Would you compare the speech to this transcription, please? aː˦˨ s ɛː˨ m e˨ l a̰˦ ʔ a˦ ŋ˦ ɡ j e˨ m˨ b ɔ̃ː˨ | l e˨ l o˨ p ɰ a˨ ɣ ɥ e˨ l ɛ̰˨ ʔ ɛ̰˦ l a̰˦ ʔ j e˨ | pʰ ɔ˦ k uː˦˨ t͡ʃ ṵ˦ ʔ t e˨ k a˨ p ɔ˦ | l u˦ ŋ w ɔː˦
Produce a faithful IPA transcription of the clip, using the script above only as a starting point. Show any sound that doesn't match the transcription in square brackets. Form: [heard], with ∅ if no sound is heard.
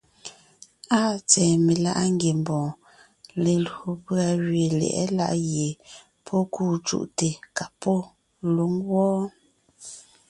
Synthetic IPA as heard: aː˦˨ [t͡s] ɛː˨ m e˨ l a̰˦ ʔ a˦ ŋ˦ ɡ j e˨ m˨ b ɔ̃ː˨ | l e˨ l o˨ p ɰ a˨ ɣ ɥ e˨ l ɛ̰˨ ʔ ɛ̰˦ l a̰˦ ʔ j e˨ | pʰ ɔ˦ k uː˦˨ t͡ʃ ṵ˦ ʔ t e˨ k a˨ p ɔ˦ | l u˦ ŋ w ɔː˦